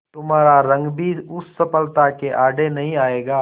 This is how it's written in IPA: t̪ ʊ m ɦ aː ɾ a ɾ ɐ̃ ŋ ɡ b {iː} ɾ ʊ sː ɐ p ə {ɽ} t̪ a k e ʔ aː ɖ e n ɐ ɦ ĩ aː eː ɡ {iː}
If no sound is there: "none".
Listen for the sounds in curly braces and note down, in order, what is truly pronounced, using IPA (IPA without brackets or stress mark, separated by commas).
iː, l, aː